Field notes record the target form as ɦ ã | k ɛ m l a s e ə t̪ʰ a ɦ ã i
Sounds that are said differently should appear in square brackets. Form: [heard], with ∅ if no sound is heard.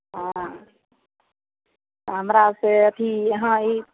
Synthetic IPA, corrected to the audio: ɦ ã | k [a] m [ɾ] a s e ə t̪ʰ [i] ɦ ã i